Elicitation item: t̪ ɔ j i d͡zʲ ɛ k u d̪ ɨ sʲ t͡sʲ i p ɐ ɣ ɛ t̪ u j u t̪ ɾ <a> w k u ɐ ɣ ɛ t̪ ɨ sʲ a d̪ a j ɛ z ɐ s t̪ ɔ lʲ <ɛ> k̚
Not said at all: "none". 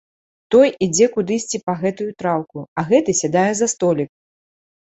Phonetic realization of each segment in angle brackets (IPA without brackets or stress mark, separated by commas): a, i